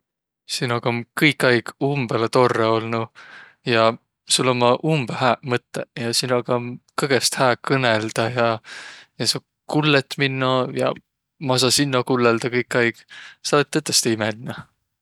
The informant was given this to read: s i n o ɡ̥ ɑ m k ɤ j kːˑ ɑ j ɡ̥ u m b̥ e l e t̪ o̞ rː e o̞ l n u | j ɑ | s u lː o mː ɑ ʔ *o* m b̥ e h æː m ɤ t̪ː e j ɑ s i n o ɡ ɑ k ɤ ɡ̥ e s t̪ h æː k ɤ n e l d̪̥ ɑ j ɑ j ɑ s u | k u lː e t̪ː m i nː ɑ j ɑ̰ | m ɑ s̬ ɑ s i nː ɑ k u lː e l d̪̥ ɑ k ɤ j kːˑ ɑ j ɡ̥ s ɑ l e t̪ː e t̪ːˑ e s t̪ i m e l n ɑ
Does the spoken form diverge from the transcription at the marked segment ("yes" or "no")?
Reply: yes